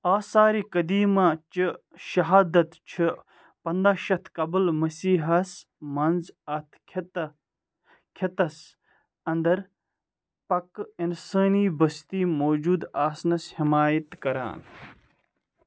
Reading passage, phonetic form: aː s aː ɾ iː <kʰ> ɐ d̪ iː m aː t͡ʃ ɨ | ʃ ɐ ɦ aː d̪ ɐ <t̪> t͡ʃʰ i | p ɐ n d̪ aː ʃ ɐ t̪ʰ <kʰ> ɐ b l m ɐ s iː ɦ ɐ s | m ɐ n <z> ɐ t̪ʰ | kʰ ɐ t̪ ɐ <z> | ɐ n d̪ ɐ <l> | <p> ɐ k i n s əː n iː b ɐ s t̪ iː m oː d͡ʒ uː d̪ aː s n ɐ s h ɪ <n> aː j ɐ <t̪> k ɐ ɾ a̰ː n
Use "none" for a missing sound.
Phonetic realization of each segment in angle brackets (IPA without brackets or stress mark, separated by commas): k, t̪, k, z, s, ɾ, p, m, t̪